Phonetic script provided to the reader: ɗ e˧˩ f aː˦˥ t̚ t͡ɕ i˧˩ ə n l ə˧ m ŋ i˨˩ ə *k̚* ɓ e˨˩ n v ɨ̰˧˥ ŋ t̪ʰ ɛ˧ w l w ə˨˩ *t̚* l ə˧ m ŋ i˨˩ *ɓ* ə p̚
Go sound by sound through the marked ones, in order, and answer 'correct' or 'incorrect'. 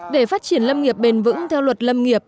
incorrect: p̚, correct, incorrect: none

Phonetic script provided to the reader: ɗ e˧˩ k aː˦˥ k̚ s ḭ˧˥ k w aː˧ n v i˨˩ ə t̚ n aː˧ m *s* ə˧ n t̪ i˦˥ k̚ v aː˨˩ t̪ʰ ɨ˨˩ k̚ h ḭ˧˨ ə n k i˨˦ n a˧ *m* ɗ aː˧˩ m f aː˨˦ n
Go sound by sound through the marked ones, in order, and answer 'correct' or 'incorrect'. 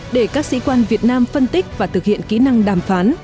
incorrect: f, incorrect: ŋ

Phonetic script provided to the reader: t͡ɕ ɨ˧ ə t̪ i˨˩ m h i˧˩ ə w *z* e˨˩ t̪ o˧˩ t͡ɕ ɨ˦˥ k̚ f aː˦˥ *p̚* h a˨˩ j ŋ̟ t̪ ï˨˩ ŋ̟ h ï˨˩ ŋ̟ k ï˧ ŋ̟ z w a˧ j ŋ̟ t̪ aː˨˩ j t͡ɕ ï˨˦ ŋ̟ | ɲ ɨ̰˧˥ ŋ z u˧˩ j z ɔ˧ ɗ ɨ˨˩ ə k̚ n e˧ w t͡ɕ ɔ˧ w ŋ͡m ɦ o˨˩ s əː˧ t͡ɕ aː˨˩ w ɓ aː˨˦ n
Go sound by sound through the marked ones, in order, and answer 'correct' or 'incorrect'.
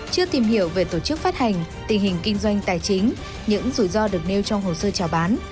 incorrect: v, incorrect: t̚

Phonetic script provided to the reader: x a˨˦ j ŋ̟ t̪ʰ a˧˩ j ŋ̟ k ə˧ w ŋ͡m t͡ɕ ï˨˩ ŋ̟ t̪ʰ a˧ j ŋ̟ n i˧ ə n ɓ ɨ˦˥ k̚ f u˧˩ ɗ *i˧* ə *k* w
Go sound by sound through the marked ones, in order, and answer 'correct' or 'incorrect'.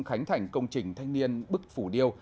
correct, incorrect: none

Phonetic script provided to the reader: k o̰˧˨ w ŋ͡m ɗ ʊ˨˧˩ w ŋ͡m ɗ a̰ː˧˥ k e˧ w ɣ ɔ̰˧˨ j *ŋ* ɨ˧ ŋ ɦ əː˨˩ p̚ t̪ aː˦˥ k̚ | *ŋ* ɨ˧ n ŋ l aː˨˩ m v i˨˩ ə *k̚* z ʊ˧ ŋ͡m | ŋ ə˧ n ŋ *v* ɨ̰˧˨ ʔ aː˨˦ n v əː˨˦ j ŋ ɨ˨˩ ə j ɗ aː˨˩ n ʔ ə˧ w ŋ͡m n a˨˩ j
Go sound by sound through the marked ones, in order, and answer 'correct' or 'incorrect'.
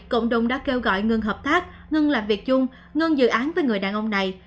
correct, correct, correct, incorrect: z

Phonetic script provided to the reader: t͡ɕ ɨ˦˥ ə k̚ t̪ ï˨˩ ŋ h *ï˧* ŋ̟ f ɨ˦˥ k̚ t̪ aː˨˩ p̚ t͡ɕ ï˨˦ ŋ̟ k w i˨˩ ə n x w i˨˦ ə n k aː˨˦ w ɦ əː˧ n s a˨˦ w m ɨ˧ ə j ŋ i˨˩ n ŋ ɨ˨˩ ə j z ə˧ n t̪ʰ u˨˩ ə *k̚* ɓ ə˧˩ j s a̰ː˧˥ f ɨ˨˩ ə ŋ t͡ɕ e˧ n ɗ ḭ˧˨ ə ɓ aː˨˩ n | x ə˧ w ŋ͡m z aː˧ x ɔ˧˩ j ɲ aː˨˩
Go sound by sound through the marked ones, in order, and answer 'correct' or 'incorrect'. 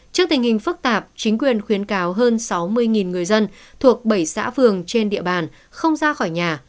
incorrect: ï˨˩, correct

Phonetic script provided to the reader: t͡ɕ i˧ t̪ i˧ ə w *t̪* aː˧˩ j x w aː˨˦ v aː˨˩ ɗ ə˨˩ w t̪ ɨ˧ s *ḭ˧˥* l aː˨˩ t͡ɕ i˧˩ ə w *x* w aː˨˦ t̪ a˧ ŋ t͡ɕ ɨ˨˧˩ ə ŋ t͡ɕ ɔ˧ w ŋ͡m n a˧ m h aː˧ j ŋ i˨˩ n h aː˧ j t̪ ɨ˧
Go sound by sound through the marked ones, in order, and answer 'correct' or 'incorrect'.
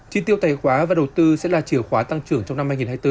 correct, incorrect: ɛ̰˧˥, correct

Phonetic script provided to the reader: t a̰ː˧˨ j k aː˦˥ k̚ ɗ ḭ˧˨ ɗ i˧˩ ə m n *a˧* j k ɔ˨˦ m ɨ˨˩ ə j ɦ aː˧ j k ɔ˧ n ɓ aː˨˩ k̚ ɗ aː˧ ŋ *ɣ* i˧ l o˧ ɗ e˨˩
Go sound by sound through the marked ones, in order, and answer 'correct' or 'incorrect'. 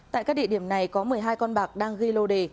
incorrect: a˨˩, correct

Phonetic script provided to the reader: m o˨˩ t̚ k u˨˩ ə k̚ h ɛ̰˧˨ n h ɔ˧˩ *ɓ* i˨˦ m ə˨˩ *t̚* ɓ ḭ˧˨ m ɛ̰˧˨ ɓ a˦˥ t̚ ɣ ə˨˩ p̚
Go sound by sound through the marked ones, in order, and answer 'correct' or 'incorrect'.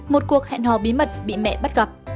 correct, correct

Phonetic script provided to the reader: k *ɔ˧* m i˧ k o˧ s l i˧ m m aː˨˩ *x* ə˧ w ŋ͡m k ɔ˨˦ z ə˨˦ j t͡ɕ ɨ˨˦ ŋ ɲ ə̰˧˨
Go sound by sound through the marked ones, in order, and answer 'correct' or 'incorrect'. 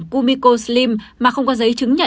incorrect: u˧, correct

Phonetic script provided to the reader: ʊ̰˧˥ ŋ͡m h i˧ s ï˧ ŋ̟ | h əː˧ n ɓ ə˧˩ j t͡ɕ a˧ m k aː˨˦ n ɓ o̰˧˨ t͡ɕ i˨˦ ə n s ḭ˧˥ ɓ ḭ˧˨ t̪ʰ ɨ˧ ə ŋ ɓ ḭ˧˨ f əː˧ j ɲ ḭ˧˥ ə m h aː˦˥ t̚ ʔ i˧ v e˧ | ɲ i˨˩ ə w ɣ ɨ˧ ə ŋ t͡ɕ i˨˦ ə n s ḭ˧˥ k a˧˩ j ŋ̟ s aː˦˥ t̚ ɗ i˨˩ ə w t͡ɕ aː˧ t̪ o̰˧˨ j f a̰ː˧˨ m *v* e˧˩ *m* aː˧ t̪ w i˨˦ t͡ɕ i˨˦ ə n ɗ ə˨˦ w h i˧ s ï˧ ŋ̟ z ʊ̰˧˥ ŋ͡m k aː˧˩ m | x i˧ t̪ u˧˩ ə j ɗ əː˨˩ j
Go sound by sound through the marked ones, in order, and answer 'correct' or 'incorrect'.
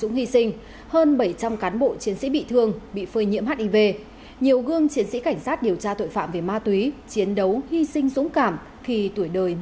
correct, correct

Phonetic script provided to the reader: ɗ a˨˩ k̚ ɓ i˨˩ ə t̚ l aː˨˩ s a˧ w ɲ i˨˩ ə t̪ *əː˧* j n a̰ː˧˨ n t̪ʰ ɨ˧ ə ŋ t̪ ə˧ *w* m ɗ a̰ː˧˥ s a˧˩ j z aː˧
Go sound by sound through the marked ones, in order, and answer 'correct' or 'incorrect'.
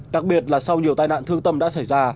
incorrect: aː˧, incorrect: none

